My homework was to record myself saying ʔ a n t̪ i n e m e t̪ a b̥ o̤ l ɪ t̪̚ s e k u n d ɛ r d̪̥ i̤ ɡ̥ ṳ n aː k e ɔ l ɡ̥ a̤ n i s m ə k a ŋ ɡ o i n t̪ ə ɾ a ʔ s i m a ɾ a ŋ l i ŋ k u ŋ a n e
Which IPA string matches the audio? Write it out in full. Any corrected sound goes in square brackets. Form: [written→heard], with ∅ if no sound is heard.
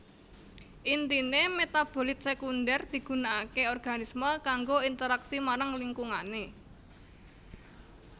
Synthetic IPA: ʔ [a→i] n t̪ i n e m e t̪ a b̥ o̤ l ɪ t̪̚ s e k u n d ɛ r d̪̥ i̤ ɡ̥ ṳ n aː k e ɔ [l→r] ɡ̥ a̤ n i s m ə k a ŋ ɡ o i n t̪ ə ɾ a [ʔ→k] s i m a ɾ a ŋ l i ŋ k u ŋ a n e